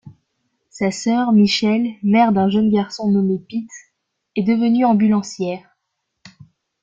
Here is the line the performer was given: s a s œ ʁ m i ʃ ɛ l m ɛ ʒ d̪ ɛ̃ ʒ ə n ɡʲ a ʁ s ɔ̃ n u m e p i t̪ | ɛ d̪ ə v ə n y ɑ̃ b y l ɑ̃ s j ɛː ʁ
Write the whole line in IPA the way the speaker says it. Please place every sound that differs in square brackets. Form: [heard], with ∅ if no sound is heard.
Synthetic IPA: s a s œ ʁ m i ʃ ɛ l m ɛ [ʁ] d̪ ɛ̃ ʒ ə n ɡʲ a ʁ s ɔ̃ n [ɔ] m e p i t̪ | ɛ d̪ ə v ə n y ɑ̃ b y l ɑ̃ s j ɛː ʁ